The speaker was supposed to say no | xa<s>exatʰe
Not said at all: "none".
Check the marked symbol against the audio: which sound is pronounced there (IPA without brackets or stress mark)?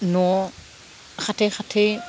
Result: t